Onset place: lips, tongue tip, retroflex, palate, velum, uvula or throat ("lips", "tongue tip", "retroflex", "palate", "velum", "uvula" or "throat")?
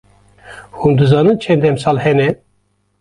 throat